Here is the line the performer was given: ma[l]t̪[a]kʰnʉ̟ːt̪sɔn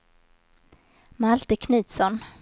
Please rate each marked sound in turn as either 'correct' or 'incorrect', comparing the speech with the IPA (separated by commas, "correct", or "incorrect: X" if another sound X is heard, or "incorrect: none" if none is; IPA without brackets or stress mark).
correct, incorrect: ə